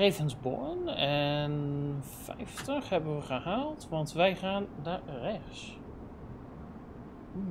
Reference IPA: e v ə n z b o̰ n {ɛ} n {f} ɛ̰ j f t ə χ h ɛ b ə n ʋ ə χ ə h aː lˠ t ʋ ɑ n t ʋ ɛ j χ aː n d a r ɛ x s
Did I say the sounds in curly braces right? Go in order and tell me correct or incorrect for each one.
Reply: correct, correct

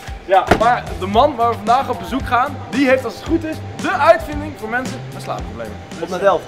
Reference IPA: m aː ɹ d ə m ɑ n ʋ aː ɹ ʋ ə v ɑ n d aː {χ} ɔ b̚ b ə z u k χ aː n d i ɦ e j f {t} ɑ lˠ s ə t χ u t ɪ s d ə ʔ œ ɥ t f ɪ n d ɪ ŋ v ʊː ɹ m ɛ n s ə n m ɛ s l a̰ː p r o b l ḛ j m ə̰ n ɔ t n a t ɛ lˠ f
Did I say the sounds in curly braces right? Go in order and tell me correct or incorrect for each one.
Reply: correct, correct

